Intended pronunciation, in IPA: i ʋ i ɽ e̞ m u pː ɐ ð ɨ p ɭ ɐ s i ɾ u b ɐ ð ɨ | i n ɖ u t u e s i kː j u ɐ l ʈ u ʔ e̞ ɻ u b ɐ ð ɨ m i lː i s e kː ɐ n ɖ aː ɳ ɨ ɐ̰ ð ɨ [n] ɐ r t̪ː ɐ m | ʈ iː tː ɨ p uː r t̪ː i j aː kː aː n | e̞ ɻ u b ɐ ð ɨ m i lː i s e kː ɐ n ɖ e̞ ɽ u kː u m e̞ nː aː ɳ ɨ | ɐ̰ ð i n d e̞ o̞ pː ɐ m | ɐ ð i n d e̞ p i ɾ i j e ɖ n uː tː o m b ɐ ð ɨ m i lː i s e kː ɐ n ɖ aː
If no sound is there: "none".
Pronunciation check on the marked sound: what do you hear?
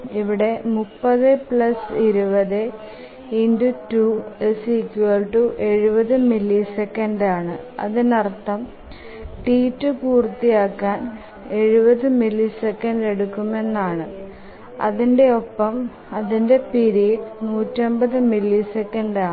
n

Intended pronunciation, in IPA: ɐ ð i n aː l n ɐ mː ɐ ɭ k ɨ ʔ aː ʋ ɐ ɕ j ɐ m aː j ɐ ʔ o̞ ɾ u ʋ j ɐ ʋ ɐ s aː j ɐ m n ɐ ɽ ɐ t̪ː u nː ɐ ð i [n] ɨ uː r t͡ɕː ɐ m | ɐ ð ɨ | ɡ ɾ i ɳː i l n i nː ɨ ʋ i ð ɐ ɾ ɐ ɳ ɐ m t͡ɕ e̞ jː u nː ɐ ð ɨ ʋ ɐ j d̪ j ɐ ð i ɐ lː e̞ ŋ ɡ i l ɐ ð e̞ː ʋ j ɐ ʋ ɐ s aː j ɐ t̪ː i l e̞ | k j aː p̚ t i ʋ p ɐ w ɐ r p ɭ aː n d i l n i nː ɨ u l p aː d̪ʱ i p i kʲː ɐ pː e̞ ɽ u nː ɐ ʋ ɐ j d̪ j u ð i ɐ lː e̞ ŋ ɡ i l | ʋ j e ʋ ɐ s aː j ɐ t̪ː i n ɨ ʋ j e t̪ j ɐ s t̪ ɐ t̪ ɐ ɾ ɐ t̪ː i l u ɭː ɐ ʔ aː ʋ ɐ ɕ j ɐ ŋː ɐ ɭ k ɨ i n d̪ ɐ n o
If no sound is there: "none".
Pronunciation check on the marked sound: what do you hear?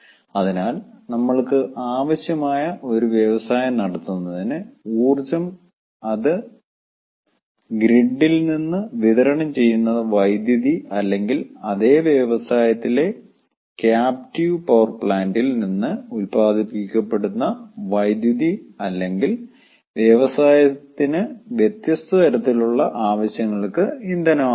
n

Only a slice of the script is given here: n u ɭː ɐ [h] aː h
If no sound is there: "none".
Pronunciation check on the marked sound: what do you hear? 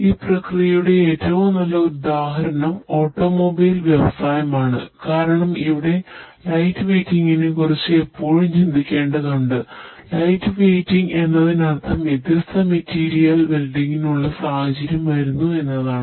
s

